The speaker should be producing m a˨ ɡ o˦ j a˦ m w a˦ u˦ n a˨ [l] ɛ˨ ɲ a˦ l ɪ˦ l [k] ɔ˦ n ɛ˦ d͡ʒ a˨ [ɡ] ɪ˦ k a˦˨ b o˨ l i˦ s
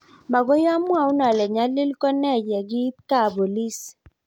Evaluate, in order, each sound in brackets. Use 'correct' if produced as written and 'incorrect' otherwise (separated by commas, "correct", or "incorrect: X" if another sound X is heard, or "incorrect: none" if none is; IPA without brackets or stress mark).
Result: correct, correct, correct